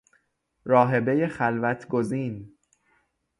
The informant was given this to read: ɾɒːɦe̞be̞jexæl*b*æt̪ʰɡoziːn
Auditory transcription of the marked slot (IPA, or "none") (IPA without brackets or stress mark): v